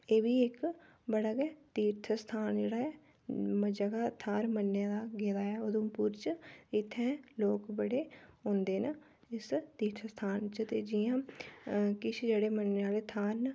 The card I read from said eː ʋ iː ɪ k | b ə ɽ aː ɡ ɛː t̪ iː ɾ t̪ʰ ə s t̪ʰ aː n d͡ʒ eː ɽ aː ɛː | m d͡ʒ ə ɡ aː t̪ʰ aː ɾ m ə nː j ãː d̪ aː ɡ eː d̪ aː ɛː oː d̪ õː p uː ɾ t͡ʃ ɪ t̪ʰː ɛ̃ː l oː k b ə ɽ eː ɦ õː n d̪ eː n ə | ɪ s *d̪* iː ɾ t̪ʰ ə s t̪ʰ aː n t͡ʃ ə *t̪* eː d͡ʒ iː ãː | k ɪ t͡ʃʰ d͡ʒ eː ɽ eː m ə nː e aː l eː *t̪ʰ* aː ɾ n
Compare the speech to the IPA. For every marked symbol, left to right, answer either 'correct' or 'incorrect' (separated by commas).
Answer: incorrect, correct, correct